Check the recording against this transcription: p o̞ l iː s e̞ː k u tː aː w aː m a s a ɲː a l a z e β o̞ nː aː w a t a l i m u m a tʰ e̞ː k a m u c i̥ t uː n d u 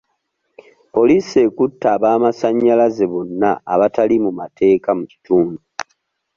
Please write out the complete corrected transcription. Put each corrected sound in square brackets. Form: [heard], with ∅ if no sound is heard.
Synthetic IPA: p o̞ l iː s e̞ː k u tː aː [β] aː m a s a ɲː a l a z e β o̞ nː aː [β] a t a l i m u m a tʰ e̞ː k a m u c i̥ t uː n d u